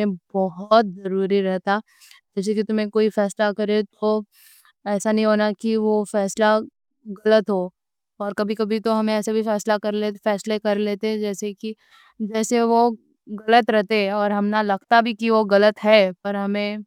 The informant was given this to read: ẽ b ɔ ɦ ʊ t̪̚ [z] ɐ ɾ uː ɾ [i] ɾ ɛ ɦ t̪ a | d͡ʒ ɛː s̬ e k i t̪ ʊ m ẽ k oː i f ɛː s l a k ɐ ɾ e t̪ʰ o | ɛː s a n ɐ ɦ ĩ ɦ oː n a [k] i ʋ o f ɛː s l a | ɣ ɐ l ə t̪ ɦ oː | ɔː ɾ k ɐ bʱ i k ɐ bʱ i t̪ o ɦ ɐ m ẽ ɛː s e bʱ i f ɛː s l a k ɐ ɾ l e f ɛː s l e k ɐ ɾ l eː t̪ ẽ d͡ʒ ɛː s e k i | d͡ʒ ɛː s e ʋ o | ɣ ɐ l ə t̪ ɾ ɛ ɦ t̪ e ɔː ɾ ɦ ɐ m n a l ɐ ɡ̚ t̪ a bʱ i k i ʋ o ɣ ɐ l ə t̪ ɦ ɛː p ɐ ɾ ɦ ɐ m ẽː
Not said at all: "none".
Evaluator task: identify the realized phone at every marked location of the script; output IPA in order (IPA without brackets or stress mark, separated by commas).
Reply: z, i, k